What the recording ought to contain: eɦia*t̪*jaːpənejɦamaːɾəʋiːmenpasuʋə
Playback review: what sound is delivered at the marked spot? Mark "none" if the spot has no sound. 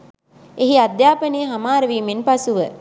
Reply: d̪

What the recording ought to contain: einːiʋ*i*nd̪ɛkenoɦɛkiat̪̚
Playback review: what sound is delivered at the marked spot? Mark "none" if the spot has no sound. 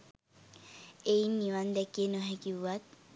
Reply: a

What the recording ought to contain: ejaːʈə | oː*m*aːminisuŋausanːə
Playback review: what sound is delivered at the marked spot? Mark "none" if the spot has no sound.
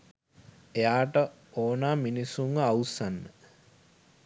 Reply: n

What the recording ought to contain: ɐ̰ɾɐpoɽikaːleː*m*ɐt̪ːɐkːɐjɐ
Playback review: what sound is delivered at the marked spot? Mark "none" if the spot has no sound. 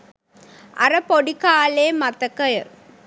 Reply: m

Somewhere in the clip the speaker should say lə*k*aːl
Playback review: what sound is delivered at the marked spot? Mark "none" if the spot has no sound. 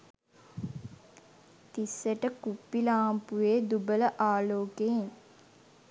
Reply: ʔ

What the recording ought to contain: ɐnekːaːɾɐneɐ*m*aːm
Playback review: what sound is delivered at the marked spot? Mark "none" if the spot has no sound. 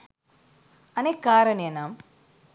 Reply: n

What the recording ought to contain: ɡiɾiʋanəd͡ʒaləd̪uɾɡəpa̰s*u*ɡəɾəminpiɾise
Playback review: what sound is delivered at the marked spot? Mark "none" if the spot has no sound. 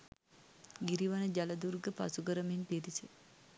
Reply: u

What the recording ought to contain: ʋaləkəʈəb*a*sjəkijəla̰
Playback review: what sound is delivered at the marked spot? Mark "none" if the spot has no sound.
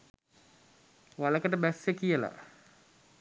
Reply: æ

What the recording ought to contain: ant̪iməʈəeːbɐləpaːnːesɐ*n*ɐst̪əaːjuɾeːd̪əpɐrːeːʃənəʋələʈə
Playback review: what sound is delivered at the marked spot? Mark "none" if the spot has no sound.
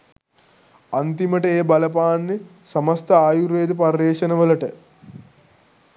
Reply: m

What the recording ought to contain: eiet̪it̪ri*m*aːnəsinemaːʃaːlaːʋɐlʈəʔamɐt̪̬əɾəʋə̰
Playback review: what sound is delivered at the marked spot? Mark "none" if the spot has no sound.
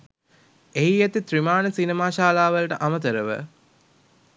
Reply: m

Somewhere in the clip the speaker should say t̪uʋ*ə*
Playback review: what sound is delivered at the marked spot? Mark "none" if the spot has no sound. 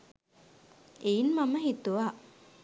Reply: a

